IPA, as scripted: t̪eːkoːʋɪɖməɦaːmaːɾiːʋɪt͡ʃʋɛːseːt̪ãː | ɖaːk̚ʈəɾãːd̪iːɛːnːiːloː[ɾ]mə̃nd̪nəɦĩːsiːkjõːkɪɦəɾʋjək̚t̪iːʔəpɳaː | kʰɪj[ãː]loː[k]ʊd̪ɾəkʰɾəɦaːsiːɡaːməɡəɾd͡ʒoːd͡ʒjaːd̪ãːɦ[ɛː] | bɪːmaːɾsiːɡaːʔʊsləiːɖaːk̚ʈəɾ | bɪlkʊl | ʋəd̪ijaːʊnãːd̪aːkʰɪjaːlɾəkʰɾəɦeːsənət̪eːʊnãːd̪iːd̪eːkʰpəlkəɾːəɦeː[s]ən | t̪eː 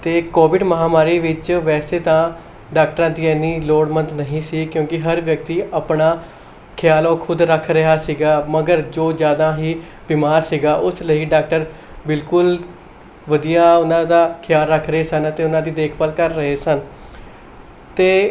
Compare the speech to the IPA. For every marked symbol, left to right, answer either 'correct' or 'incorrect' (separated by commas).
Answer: incorrect, incorrect, incorrect, incorrect, correct